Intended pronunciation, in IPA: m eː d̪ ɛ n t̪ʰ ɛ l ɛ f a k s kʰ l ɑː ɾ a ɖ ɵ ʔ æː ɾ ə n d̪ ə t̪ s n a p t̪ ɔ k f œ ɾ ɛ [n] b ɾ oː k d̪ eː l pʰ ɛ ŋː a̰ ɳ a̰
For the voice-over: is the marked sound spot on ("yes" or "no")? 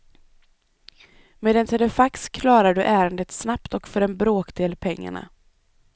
yes